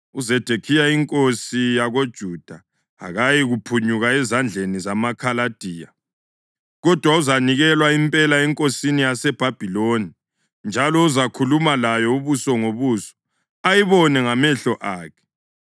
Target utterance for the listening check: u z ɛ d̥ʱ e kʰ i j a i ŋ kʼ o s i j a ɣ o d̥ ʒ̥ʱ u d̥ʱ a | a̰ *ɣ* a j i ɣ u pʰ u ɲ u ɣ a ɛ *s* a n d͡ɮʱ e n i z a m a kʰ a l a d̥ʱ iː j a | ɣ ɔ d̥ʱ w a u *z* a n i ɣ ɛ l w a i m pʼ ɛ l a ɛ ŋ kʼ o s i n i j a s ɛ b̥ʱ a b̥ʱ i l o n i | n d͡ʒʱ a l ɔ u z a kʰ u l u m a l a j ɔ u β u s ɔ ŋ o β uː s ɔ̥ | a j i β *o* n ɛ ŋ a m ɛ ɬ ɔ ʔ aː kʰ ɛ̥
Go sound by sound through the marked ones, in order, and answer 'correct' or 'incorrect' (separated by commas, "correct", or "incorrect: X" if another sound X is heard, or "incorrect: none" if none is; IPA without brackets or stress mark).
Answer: correct, incorrect: z, correct, incorrect: ɔ